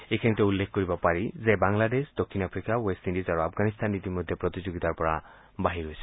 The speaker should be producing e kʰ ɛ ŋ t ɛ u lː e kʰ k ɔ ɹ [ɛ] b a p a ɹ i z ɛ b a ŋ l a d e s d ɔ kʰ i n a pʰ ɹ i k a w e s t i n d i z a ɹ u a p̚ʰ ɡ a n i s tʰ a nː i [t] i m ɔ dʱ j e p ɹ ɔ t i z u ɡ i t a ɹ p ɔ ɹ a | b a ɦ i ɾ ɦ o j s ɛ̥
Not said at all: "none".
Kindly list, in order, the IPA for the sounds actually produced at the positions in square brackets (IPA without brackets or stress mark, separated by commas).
i, t